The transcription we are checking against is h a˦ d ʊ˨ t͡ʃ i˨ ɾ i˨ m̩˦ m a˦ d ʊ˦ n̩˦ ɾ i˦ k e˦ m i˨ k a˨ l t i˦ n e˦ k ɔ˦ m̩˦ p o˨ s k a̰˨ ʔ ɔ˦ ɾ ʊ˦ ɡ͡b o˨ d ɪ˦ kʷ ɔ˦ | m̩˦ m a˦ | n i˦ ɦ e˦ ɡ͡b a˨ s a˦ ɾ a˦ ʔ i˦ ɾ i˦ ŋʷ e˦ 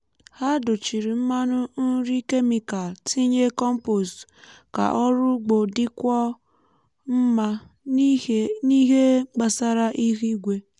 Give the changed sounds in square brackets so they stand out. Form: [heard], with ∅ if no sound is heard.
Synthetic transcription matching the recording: h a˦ d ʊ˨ t͡ʃ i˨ ɾ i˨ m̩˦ m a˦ [n] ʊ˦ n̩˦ ɾ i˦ k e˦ m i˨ k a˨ l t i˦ [ɲ] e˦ k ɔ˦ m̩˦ p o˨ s k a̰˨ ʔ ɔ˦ ɾ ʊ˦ ɡ͡b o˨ d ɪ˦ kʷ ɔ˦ | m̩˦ m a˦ | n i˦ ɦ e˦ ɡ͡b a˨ s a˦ ɾ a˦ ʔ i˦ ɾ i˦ [ɡʷ] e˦